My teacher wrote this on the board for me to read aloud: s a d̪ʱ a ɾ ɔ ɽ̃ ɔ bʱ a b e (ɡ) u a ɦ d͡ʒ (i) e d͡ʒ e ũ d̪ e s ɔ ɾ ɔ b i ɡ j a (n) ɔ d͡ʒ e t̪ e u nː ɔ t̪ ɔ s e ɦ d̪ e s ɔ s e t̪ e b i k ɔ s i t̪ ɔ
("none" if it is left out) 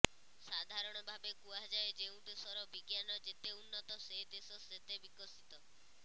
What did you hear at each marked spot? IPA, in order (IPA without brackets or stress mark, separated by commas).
k, a, n